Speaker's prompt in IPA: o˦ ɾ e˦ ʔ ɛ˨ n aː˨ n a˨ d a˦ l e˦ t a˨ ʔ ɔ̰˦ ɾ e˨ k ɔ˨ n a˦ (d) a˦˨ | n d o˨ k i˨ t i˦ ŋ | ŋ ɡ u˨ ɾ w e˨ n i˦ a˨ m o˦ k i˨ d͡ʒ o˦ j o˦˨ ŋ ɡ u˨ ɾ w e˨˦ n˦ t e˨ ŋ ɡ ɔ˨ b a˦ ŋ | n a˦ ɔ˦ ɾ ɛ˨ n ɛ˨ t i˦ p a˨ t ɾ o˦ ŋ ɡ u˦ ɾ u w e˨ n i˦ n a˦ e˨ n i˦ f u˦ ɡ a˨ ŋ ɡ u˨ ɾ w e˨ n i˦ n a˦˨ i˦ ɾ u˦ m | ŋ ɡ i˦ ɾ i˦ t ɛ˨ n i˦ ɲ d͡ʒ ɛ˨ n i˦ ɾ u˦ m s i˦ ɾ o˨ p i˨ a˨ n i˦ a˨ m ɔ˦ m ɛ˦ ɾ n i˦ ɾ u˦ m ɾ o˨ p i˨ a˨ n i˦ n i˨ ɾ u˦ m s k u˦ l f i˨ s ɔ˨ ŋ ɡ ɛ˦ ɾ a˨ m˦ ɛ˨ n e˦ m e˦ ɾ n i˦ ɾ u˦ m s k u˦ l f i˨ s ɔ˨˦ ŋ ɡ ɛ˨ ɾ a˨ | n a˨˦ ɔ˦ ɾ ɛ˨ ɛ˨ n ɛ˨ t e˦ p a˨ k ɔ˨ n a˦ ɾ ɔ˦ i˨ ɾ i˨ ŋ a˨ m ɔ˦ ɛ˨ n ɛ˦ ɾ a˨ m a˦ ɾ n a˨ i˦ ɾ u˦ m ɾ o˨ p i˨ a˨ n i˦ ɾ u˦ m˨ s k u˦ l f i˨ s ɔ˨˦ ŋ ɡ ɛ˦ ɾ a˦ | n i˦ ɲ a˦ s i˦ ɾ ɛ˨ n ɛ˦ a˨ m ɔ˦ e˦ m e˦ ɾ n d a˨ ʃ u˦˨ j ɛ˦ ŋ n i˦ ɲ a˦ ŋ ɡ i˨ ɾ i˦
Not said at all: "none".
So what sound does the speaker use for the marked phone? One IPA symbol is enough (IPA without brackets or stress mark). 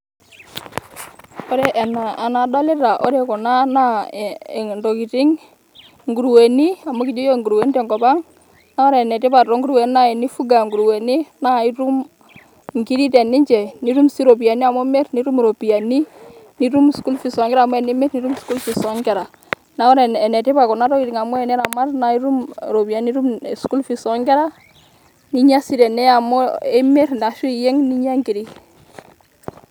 n